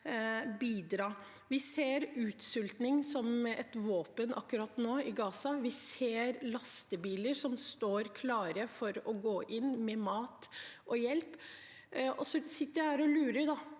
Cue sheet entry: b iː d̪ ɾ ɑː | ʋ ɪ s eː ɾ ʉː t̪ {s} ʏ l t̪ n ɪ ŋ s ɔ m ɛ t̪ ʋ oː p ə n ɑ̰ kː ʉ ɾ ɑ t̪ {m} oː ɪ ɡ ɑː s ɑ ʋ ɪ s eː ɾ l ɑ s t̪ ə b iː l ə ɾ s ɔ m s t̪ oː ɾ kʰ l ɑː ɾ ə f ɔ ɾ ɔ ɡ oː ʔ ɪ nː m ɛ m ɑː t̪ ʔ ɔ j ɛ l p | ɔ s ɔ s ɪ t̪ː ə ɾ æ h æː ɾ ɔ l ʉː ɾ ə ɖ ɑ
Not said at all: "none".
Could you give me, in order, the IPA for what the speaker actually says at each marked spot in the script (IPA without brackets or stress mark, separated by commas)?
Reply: s, n